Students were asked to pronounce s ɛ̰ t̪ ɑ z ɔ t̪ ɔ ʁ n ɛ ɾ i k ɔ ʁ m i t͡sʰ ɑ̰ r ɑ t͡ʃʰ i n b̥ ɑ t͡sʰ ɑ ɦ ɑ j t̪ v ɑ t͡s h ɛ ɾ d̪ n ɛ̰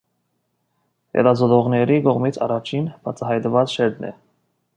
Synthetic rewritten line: h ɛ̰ t̪ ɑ z ɔ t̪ ɔ ʁ n ɛ ɾ i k ɔ ʁ m i t͡sʰ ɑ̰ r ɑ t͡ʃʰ i n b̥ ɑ t͡sʰ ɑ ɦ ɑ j t̪ v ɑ t͡s ʃ ɛ ɾ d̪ n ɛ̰